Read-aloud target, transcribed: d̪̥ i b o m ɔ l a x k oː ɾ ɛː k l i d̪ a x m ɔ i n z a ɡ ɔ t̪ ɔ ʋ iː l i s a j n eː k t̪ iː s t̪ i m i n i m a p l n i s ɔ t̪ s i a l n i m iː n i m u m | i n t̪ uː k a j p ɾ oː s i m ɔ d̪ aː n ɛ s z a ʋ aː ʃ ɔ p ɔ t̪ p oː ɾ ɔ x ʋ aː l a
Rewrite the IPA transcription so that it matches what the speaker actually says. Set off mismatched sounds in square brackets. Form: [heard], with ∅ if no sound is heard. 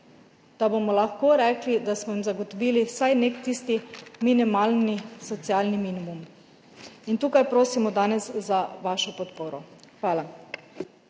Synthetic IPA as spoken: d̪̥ [a] b o m ɔ l a x k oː ɾ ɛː k l i d̪ a [s] m ɔ i [m] z a ɡ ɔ t̪ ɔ ʋ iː l i s a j n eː k t̪ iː s t̪ i m i n i m a [∅] l n i s ɔ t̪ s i a l n i m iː n i m u m | i n t̪ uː k a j p ɾ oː s i m ɔ d̪ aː n ɛ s z a ʋ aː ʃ ɔ p ɔ t̪ p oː ɾ ɔ x ʋ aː l a